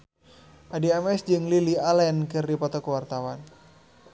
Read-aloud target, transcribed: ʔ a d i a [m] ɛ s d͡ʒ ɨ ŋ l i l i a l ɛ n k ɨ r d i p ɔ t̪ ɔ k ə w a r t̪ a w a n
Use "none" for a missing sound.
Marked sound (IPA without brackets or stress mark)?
m